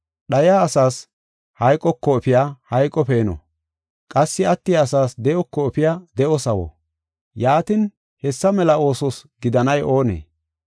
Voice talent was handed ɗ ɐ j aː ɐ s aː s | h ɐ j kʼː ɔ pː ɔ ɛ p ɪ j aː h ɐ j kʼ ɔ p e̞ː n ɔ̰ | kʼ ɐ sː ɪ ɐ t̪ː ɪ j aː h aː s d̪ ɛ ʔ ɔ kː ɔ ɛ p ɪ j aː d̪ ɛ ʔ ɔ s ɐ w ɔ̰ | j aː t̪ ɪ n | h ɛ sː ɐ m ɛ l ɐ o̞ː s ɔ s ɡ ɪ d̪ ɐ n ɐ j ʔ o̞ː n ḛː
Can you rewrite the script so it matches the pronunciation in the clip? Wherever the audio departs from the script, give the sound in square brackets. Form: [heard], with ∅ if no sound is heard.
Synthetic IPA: ɗ ɐ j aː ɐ s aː s | h ɐ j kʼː ɔ [kː] ɔ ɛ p ɪ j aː h ɐ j kʼ ɔ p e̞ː n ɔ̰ | kʼ ɐ sː ɪ ɐ t̪ː ɪ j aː [s] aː s d̪ ɛ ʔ ɔ kː ɔ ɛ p ɪ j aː d̪ ɛ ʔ ɔ s ɐ w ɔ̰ | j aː t̪ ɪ n | h ɛ sː ɐ m ɛ l ɐ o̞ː s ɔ s ɡ ɪ d̪ ɐ n ɐ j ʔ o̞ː n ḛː